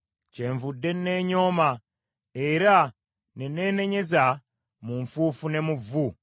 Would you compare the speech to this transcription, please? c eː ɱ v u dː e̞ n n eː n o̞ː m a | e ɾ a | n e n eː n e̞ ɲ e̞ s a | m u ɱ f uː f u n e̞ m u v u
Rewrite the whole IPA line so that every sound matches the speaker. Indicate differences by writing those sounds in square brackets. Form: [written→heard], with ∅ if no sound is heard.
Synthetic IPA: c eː ɱ v u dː e̞ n n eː [n→ɲ] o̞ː m a | e ɾ a | n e n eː n e̞ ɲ e̞ [s→z] a | m u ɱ f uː f u n e̞ m u v u